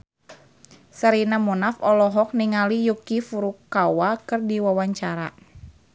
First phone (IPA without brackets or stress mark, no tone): s